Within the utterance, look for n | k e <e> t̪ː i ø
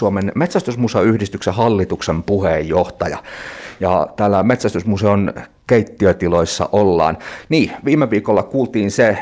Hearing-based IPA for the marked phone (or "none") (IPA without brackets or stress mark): i